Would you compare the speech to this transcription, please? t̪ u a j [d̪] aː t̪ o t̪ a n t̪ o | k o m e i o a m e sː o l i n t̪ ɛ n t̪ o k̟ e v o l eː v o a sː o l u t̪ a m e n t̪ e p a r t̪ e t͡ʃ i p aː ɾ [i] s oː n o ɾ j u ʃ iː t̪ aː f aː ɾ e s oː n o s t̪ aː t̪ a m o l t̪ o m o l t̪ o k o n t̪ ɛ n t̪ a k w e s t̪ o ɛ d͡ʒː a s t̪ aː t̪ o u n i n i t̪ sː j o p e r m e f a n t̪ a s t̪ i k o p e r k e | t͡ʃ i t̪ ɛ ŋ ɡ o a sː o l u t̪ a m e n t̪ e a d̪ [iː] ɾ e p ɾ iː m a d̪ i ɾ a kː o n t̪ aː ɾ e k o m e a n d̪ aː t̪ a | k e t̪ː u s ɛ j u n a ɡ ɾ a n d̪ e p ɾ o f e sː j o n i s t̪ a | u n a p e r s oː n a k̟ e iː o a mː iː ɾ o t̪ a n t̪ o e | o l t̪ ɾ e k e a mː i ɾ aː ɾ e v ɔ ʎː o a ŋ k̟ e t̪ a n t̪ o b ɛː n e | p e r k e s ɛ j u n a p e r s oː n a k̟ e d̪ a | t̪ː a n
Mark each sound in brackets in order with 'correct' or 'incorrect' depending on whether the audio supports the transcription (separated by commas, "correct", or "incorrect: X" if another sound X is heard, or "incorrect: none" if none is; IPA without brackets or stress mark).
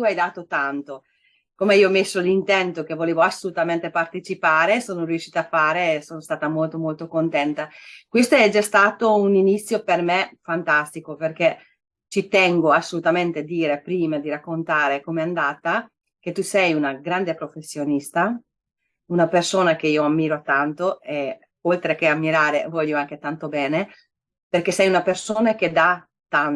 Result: correct, incorrect: e, correct